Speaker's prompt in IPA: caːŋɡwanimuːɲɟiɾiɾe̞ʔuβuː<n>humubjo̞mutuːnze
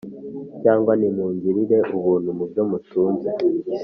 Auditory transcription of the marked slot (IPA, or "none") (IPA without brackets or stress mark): n